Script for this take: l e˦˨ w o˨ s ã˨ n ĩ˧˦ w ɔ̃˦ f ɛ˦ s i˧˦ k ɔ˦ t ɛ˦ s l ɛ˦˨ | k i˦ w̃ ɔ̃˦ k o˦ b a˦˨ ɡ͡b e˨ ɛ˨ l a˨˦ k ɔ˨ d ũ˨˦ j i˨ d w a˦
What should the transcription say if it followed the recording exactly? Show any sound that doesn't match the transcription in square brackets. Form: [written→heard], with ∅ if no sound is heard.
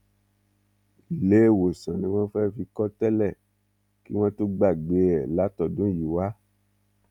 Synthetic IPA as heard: l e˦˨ w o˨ s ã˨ n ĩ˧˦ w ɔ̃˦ f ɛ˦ [s→f] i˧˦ k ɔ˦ t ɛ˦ [s→∅] l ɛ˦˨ | k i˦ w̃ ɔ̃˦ [k→t] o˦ [b→ɡ͡b] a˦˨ ɡ͡b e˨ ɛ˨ l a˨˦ [k→t] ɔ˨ d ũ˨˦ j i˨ [d→∅] w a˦